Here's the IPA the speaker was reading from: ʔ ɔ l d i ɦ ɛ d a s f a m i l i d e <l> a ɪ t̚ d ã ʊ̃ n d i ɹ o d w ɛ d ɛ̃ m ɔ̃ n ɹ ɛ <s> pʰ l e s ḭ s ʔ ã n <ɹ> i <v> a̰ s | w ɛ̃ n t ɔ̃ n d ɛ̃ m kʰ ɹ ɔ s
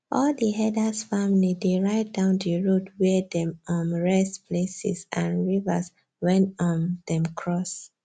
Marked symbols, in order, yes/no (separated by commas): no, yes, yes, yes